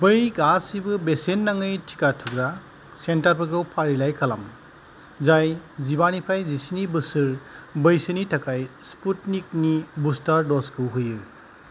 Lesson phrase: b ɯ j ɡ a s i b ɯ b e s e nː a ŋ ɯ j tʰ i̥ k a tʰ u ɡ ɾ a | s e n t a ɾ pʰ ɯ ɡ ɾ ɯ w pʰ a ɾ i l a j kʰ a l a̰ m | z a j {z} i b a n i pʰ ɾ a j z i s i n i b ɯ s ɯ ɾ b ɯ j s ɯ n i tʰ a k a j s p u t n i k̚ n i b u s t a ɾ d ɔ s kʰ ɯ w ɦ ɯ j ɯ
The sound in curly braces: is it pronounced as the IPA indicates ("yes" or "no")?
yes